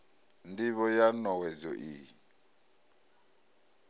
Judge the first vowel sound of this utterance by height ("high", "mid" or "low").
high